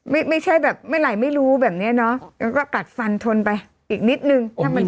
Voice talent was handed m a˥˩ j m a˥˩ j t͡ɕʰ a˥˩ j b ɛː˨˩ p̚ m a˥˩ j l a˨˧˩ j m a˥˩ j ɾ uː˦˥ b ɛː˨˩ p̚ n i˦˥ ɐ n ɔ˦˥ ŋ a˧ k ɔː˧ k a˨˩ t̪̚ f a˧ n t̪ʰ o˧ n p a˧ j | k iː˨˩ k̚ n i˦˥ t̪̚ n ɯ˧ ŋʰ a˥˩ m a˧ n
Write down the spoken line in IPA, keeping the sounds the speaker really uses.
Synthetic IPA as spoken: m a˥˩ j m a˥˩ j t͡ɕʰ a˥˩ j b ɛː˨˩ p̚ m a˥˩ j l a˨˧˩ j m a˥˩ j ɾ uː˦˥ b ɛː˨˩ p̚ n i˦˥ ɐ n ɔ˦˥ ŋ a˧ k ɔː˥˩ k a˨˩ t̪̚ f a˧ n t̪ʰ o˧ n p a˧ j | ʔ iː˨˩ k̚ n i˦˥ t̪̚ n ɯ˧ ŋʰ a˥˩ m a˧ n